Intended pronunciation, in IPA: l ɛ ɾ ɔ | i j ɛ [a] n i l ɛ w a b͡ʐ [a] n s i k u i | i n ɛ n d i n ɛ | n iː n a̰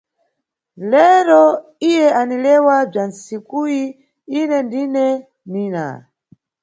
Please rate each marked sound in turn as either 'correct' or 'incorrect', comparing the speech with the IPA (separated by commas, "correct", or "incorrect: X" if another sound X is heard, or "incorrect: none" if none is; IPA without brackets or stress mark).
correct, correct